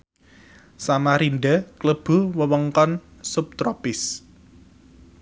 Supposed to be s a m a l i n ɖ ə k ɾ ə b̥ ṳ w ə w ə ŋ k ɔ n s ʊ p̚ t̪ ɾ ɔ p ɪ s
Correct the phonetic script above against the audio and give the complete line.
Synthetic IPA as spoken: s a m a ɾ i n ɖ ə k l ə b̥ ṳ w ə w ə ŋ k ɔ n s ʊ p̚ t̪ ɾ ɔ p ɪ s